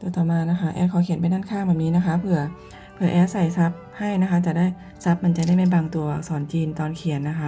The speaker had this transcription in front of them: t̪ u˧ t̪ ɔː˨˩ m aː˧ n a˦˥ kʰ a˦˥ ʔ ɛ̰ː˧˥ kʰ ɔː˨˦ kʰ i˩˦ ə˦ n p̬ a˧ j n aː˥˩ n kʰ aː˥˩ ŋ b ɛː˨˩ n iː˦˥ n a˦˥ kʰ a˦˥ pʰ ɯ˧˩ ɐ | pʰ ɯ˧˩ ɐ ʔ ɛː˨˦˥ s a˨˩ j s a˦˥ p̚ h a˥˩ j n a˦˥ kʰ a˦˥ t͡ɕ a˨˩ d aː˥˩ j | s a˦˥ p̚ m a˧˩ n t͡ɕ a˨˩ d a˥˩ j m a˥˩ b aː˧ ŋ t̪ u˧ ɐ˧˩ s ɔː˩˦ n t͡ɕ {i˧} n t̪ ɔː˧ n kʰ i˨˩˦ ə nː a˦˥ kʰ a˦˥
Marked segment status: incorrect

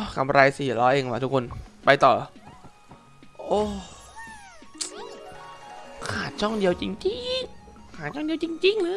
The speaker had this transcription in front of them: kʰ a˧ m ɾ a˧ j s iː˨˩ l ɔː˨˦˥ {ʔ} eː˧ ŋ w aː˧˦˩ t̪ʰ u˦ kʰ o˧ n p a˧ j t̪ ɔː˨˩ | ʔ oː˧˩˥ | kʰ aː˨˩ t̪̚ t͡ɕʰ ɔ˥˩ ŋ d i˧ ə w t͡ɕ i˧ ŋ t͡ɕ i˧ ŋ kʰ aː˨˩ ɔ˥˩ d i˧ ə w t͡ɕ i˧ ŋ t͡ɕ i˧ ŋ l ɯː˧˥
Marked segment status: correct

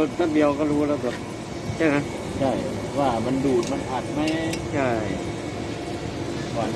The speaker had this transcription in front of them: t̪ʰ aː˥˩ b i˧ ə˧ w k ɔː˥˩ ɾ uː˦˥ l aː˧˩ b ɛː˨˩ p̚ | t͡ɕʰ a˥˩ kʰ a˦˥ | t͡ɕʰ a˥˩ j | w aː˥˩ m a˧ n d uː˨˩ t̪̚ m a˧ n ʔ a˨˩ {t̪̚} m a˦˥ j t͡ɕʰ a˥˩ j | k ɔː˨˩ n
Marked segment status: correct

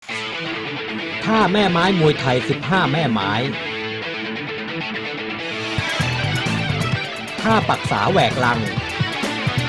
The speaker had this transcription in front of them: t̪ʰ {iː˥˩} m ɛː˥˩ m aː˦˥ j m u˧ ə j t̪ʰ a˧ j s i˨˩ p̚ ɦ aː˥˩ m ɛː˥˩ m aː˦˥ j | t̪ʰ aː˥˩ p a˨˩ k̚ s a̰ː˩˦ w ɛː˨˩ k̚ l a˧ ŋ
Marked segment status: incorrect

